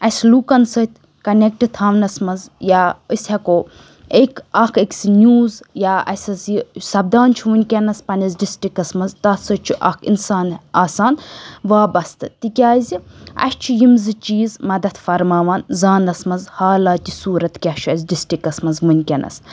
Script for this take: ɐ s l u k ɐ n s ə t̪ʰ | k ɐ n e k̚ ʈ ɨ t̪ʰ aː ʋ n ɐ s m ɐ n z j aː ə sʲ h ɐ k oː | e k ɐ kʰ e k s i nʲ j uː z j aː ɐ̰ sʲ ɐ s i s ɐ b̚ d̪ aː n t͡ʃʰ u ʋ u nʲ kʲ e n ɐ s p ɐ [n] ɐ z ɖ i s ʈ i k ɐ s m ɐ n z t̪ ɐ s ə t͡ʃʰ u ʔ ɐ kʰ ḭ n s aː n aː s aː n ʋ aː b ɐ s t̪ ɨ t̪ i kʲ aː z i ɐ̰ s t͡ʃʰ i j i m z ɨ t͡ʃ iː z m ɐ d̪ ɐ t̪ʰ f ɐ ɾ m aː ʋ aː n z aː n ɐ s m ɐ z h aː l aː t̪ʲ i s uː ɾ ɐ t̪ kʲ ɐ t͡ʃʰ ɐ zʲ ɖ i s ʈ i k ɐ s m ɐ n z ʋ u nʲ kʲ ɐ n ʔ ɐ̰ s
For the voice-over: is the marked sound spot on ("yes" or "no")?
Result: yes